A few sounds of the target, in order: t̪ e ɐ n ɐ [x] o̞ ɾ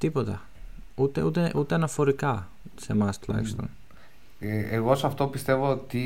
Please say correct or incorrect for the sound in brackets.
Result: incorrect